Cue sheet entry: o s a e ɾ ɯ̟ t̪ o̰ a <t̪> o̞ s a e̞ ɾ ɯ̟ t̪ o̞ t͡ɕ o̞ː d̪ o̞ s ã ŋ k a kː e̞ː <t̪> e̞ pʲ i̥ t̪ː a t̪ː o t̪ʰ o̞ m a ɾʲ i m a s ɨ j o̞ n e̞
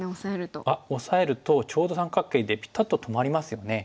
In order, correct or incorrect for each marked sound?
incorrect: none, incorrect: d̪

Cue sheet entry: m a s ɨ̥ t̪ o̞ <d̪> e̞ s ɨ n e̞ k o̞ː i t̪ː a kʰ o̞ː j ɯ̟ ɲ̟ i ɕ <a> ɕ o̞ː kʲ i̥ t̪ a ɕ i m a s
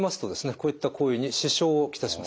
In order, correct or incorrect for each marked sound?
correct, incorrect: i

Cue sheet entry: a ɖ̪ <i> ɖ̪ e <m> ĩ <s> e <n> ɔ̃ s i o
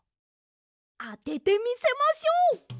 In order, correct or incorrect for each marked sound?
incorrect: e, correct, correct, incorrect: m

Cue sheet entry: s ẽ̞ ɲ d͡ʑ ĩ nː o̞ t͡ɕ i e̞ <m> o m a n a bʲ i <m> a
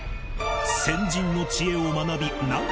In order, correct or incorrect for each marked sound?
incorrect: none, incorrect: n

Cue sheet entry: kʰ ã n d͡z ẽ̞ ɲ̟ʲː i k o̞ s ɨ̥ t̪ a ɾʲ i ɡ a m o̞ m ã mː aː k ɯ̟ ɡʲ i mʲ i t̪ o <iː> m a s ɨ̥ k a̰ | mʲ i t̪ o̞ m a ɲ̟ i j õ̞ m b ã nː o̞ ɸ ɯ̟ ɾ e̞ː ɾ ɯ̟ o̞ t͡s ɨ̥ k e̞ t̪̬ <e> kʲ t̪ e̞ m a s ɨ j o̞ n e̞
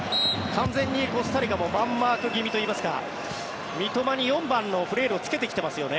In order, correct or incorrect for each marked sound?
correct, correct

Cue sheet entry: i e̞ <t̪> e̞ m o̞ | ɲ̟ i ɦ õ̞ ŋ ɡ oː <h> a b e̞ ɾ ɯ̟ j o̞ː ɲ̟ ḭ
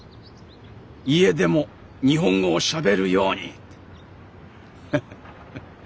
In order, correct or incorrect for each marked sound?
incorrect: d̪, incorrect: ɕ

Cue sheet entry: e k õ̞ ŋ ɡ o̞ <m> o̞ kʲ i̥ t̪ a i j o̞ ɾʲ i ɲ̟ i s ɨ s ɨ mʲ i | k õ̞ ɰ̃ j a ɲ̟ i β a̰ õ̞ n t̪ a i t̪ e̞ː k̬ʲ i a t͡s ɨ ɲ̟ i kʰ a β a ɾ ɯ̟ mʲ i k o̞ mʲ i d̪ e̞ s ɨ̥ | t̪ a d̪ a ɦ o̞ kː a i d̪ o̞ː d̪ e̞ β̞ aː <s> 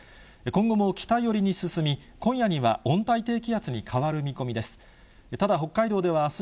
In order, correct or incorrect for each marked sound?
correct, correct

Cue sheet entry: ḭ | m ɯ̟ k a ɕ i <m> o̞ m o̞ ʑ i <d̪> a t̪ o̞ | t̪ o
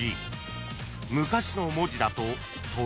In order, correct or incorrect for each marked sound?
incorrect: n, correct

